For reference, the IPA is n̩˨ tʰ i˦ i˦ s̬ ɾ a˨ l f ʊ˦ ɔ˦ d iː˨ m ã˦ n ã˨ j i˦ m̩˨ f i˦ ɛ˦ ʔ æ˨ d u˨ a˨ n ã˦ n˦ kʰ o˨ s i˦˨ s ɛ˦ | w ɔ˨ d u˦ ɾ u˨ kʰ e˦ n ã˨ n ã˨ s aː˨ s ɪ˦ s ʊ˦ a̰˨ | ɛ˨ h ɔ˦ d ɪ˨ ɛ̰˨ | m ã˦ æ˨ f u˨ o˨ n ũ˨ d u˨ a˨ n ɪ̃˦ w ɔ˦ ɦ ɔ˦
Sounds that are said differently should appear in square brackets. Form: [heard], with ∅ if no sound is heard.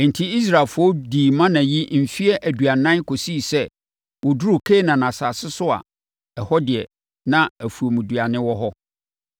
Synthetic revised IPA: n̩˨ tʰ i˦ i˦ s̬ ɾ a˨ l f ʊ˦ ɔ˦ d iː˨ m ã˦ n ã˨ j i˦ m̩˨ f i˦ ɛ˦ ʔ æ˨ d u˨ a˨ n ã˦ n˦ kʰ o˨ s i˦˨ s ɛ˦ | w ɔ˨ d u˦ ɾ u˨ kʰ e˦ n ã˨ n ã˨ s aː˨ s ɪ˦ s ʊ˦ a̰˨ | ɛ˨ h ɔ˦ d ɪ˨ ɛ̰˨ | [n] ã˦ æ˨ f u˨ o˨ [m] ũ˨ d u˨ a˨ n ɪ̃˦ w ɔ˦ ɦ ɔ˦